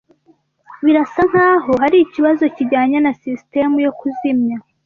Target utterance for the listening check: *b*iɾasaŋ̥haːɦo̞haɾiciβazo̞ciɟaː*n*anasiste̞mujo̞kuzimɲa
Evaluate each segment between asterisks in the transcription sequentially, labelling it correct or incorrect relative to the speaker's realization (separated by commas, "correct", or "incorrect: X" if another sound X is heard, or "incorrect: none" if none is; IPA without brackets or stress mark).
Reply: incorrect: β, incorrect: ɲ